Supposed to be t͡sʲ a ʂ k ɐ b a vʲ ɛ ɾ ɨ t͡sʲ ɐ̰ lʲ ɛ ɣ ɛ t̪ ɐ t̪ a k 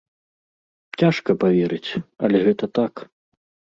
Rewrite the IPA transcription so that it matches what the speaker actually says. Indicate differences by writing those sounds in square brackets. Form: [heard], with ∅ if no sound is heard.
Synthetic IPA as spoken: t͡sʲ a ʂ k ɐ [p] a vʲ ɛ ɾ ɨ t͡sʲ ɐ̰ lʲ ɛ ɣ ɛ t̪ ɐ t̪ a k